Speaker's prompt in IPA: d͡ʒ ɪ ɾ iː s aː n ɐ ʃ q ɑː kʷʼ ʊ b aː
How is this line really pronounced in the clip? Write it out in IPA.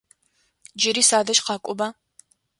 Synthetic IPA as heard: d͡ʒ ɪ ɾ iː s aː d ɐ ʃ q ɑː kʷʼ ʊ b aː